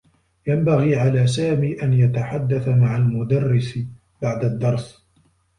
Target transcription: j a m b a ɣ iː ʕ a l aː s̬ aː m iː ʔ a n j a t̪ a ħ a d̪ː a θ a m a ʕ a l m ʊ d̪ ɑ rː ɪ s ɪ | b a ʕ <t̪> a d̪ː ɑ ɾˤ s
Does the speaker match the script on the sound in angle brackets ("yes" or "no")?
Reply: no